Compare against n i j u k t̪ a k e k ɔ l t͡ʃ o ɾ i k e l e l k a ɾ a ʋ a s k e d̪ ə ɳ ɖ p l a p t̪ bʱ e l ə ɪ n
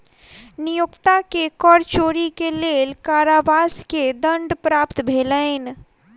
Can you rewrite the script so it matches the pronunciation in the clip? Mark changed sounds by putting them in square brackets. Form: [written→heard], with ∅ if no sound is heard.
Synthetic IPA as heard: n i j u k t̪ a k e k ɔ [l→ɾ] t͡ʃ o ɾ i k e l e l k a ɾ a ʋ a s k e d̪ ə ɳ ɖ p [l→ɾ] a p t̪ bʱ e l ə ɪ n